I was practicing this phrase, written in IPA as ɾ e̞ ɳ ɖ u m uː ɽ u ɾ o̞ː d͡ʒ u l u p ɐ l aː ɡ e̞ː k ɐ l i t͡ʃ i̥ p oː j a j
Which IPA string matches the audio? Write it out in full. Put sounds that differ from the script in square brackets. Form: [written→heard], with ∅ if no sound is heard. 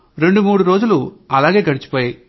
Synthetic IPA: ɾ e̞ ɳ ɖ u m uː ɽ u ɾ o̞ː d͡ʒ u l u [p→∅] ɐ l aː ɡ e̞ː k ɐ [l→ɽ] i t͡ʃ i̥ p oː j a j